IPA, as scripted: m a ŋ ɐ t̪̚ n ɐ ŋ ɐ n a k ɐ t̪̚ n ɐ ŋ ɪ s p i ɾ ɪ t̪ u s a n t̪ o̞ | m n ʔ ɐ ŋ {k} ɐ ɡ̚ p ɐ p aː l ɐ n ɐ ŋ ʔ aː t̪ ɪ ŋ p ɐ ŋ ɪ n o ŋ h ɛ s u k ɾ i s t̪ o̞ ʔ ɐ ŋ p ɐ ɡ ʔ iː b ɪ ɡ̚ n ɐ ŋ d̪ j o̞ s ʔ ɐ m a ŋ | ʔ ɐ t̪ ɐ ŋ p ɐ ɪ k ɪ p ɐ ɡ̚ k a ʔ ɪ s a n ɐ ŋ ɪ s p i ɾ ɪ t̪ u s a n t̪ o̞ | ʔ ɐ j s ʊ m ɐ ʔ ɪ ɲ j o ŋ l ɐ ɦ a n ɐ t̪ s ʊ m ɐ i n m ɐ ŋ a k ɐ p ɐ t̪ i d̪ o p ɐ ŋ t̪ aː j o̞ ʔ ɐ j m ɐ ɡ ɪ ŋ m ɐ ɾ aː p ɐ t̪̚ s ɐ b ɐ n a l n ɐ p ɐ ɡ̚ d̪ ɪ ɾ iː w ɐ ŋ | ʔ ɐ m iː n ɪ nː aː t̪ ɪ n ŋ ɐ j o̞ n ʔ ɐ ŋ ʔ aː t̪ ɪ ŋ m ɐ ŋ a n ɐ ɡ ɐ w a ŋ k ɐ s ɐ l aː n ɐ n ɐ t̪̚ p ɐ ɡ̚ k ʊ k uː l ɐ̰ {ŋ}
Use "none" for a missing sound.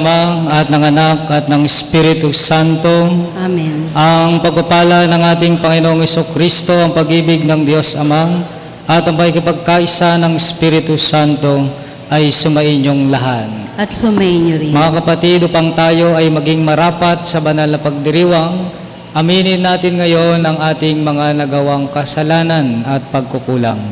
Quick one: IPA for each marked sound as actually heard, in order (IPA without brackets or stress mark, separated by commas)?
p, ŋ